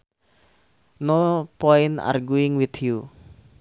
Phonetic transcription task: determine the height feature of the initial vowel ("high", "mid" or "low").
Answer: mid